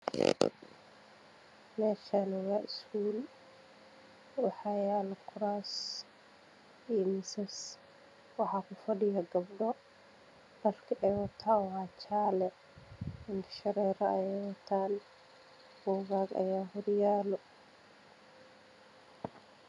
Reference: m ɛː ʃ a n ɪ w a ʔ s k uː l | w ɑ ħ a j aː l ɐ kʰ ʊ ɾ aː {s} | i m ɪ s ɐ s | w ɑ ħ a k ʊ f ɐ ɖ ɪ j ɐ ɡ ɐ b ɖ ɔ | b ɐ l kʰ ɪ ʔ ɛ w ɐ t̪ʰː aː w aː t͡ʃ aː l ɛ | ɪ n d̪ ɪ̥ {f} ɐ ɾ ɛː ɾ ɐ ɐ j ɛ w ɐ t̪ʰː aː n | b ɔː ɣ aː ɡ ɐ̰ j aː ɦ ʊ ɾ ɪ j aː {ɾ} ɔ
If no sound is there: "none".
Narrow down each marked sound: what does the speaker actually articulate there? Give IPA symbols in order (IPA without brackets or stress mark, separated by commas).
s, ʃ, l